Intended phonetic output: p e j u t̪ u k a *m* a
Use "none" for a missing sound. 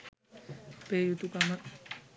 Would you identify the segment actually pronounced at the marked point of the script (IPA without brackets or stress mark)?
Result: m